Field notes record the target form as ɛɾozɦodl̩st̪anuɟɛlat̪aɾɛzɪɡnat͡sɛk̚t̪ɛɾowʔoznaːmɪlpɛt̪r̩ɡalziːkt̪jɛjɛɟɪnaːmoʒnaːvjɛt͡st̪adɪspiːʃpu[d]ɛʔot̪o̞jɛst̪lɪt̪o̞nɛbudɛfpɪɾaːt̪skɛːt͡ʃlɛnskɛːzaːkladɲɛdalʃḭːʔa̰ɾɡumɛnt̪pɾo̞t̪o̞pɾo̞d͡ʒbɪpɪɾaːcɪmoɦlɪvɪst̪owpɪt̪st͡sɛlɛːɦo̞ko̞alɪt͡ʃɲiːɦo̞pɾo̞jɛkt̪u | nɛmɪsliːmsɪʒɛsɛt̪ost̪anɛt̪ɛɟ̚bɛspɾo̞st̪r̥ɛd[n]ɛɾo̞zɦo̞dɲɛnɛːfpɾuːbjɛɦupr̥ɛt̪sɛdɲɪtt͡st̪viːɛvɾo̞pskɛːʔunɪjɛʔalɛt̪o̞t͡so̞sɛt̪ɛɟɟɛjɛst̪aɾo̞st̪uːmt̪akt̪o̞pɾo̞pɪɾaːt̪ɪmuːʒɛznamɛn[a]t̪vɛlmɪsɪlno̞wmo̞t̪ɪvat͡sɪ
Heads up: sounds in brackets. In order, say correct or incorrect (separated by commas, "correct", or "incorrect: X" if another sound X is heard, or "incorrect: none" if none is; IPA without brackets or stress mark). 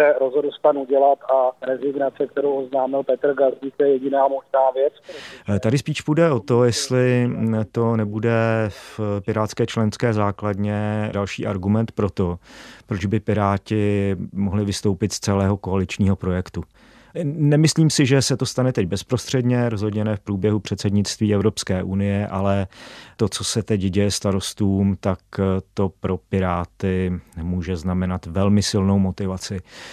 correct, incorrect: ɲ, correct